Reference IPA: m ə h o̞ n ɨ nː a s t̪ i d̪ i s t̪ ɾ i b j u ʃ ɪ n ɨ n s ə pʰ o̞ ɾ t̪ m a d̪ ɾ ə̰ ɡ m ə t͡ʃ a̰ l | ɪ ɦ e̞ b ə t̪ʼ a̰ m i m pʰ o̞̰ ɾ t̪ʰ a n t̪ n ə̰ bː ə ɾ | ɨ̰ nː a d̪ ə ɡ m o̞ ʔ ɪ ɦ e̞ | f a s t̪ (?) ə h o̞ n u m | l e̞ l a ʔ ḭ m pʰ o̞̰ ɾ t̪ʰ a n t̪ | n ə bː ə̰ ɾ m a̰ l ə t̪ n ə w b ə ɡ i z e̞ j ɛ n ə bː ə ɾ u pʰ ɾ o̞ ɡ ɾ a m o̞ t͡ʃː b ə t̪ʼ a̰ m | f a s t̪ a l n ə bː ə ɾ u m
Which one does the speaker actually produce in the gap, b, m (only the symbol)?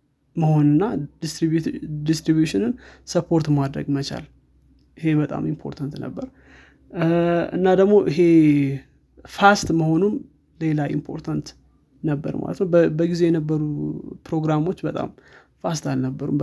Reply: m